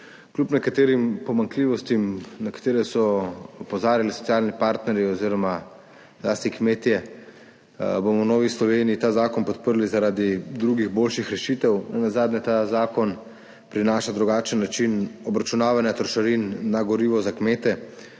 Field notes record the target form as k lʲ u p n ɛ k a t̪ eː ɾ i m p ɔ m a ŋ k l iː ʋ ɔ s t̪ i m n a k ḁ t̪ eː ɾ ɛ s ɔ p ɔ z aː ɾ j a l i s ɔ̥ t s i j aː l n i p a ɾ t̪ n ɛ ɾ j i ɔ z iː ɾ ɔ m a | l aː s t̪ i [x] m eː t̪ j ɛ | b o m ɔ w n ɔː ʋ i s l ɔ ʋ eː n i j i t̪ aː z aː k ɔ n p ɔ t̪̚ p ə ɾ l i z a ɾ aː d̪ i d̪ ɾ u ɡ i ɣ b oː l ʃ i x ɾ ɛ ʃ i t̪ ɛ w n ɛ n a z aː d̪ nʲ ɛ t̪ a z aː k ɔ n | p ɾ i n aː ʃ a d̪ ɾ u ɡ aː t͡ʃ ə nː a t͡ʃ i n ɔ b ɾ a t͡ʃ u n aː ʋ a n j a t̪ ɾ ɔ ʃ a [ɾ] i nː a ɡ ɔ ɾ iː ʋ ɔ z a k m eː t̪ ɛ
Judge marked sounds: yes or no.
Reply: no, yes

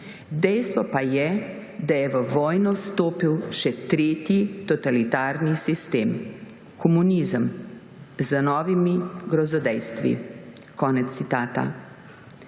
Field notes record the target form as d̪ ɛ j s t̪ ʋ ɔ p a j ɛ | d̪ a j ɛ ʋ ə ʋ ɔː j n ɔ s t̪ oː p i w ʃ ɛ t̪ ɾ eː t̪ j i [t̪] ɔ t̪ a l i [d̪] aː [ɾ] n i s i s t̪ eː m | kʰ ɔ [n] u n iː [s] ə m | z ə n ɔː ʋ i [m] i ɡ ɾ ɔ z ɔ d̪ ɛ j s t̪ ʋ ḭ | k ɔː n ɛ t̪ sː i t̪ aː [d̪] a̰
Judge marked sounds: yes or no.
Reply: yes, no, yes, no, no, yes, no

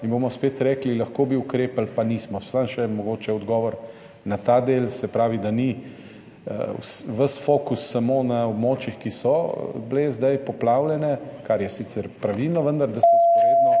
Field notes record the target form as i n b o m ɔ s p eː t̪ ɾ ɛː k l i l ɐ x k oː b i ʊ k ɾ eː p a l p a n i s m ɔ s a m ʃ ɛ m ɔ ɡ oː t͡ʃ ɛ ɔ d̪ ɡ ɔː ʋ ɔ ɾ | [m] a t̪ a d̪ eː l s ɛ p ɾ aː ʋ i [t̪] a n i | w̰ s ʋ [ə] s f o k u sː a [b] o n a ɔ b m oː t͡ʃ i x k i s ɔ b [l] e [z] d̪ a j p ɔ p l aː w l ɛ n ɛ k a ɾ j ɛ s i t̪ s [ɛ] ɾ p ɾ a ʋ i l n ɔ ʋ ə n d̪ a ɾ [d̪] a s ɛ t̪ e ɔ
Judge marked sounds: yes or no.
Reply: no, no, yes, no, yes, yes, yes, yes

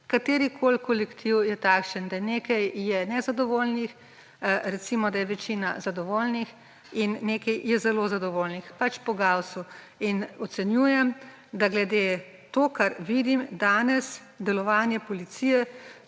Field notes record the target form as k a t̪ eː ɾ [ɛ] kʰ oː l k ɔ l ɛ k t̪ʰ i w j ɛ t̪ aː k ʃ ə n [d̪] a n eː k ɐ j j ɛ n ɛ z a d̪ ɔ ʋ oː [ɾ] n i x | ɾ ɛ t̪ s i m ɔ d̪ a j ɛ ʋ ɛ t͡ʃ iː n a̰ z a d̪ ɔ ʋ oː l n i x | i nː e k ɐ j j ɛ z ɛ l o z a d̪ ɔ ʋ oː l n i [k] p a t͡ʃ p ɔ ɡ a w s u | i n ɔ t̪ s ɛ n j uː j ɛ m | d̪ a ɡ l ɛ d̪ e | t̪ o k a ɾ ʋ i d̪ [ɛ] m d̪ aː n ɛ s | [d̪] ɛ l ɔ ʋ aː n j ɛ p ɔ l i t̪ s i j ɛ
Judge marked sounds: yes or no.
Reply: no, yes, no, no, no, yes

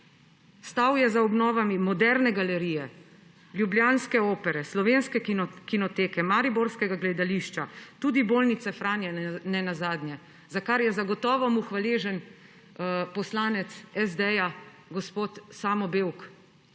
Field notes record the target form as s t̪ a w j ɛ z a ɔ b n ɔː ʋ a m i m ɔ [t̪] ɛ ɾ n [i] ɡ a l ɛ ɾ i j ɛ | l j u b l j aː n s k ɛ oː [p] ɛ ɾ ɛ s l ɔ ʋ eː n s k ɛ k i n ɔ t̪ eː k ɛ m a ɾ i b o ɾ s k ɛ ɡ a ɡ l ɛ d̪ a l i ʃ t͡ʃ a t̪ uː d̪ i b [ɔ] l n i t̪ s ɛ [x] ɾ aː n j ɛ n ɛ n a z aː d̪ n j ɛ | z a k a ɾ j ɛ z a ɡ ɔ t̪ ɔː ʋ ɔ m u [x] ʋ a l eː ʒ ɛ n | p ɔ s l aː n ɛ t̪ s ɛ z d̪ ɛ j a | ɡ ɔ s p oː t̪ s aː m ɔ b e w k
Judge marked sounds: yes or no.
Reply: no, no, yes, no, no, yes

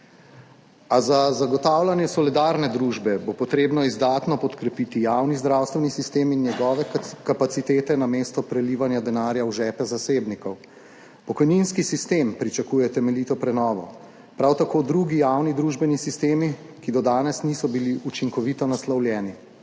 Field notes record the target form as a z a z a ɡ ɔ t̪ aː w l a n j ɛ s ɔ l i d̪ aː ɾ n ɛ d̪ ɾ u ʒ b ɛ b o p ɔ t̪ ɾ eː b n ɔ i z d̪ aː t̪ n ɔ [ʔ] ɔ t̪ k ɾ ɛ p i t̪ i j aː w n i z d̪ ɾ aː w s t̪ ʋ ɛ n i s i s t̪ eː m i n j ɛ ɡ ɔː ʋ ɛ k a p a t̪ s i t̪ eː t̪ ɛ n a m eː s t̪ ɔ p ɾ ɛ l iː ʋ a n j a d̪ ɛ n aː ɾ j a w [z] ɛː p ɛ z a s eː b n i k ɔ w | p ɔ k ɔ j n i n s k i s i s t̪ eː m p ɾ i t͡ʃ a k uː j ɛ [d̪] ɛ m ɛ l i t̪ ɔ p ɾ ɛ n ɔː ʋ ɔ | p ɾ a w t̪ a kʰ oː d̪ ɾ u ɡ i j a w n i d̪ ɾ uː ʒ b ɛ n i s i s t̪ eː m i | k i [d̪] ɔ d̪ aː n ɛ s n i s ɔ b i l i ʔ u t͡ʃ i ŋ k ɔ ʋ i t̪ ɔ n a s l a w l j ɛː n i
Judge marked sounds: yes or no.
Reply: no, no, no, yes

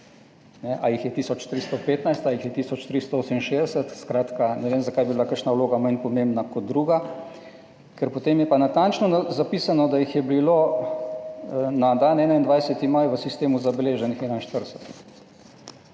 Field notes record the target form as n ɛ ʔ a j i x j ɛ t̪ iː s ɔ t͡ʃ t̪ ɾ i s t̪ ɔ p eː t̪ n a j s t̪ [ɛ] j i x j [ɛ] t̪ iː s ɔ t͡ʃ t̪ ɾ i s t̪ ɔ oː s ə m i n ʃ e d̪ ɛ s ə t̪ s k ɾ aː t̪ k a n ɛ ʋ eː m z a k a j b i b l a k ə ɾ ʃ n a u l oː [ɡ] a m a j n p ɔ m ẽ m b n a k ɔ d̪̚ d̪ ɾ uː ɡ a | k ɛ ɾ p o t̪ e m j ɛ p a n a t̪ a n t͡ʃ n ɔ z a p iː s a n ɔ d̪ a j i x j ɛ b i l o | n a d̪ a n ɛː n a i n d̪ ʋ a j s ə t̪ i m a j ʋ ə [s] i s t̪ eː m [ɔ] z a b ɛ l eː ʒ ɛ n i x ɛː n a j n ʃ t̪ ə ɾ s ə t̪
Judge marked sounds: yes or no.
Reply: no, yes, yes, yes, no

